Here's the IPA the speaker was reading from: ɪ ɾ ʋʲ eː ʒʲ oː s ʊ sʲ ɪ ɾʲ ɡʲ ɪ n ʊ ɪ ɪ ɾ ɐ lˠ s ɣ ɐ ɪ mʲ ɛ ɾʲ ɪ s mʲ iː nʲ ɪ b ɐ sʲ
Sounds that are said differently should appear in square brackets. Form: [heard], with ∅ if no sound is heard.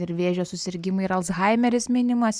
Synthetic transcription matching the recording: ɪ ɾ ʋʲ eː ʒʲ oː s ʊ sʲ ɪ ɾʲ ɡʲ ɪ [m] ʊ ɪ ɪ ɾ ɐ lˠ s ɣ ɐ ɪ mʲ ɛ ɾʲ ɪ s mʲ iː nʲ ɪ [m] ɐ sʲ